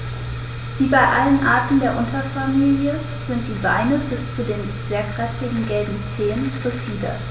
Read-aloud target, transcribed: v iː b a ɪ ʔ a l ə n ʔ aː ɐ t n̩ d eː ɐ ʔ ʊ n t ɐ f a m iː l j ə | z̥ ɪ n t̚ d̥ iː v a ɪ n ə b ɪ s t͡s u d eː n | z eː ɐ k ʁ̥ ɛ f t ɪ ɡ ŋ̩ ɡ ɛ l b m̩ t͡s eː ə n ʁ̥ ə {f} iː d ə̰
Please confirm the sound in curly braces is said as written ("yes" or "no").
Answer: yes